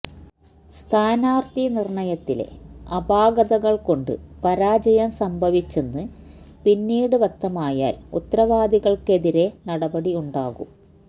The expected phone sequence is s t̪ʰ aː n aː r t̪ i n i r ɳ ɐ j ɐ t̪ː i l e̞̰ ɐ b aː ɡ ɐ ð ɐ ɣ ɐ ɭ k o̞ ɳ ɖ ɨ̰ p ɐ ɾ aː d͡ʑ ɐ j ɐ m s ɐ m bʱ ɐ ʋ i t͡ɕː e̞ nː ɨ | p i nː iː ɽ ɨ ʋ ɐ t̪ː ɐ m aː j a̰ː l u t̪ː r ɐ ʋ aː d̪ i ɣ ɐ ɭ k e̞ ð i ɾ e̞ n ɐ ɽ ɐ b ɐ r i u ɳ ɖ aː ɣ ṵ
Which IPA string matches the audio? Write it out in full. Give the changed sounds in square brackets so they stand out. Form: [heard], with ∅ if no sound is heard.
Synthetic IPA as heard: s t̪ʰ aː n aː r t̪ i n i r ɳ ɐ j ɐ t̪ː i l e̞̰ ɐ b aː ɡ ɐ ð ɐ ɣ ɐ ɭ k o̞ ɳ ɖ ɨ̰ p ɐ ɾ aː d͡ʑ ɐ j ɐ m s ɐ m bʱ ɐ ʋ i t͡ɕː e̞ nː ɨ | p i nː iː ɽ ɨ ʋ ɐ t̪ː ɐ m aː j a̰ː l u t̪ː r ɐ ʋ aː d̪ i ɣ ɐ ɭ k e̞ ð i ɾ e̞ n ɐ ɽ ɐ b ɐ [ɽ] i u ɳ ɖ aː ɣ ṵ